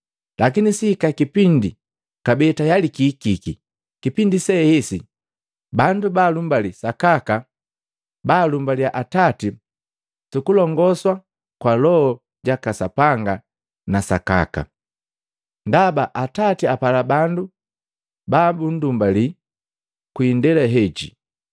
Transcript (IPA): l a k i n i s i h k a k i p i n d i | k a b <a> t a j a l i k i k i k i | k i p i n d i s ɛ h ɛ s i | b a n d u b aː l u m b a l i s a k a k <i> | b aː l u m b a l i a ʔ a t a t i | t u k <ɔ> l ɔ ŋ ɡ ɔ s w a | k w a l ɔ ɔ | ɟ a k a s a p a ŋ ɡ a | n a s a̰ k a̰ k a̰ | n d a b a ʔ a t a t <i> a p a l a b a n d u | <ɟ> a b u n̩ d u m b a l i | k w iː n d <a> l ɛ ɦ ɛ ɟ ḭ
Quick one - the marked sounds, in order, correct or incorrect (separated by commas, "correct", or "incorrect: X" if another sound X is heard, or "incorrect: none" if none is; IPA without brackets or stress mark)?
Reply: incorrect: ɛ, incorrect: a, incorrect: u, correct, incorrect: b, incorrect: ɛ